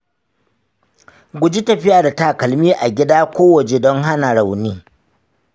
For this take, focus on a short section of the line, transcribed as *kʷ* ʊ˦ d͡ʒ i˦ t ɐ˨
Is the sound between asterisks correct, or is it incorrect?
incorrect: ɡʷ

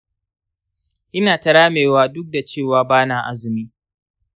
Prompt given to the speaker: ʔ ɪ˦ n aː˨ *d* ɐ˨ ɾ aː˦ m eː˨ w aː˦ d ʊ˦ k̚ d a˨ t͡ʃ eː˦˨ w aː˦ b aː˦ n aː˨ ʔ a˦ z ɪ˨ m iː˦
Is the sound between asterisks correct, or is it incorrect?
incorrect: t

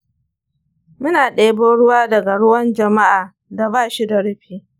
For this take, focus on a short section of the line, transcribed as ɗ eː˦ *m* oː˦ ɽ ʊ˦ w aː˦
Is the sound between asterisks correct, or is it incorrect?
incorrect: b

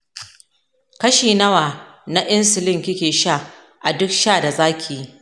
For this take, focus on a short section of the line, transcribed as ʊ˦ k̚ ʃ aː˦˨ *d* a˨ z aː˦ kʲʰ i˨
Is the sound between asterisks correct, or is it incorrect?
correct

